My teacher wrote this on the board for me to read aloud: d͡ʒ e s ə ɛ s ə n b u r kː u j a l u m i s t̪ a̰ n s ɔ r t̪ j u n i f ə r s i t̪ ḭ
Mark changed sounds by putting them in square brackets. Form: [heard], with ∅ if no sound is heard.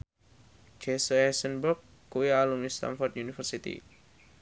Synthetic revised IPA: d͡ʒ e s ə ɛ s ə n b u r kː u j a l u m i s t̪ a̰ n [f] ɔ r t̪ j u n i f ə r s i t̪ ḭ